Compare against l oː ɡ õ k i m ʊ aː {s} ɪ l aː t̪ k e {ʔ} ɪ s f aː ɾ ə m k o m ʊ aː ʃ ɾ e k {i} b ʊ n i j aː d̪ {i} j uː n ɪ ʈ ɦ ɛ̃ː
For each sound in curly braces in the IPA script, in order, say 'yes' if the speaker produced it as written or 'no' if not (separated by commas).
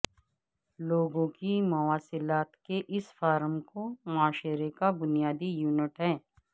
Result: yes, yes, no, yes